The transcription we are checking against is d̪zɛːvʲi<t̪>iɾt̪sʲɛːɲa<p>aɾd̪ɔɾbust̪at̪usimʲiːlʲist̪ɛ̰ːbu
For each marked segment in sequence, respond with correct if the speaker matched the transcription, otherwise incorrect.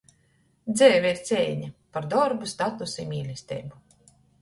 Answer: incorrect, correct

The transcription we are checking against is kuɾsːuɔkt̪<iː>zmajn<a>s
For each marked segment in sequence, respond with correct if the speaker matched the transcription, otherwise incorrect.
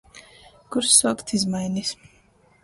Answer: incorrect, incorrect

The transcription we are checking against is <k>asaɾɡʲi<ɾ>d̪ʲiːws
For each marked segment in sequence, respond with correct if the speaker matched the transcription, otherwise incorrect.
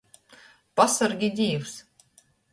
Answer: incorrect, incorrect

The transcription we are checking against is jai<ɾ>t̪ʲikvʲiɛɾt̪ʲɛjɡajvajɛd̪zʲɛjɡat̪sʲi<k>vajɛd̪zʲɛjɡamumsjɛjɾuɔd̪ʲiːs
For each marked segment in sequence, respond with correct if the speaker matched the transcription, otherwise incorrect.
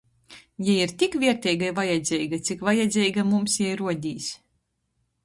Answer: correct, correct

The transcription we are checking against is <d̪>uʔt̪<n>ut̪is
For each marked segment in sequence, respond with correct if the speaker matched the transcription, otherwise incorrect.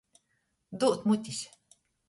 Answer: correct, incorrect

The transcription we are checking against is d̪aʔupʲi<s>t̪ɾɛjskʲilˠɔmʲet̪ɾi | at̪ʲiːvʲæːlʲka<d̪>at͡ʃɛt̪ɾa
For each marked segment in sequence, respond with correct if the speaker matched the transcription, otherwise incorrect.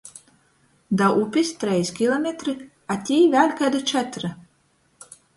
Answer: correct, correct

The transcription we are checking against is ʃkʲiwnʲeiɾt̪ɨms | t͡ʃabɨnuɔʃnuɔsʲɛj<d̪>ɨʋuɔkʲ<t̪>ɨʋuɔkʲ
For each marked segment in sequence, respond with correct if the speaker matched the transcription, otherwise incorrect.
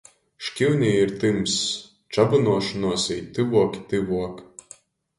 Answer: incorrect, correct

